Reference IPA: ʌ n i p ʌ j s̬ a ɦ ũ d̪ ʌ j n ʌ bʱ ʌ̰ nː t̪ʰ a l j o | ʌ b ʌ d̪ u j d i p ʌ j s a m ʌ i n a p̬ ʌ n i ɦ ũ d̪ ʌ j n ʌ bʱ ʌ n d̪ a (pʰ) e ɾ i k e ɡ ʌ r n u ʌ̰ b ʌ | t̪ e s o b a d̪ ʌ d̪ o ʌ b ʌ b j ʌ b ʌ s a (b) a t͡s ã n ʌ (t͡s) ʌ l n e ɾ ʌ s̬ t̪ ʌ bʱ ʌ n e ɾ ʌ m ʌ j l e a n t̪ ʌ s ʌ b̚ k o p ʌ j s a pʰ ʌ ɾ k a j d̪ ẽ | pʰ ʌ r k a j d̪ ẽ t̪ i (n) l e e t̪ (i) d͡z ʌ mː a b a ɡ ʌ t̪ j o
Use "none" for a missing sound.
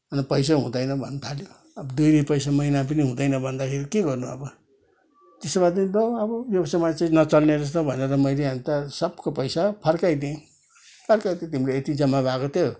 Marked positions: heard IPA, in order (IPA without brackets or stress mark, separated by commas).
kʰ, m, t͡s, m, i